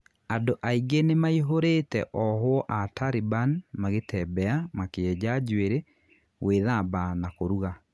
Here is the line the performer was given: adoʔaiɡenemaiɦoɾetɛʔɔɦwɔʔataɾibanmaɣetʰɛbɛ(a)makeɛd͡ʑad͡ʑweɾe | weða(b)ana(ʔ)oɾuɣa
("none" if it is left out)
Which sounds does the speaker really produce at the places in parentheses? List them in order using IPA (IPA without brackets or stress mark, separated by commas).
a, b, k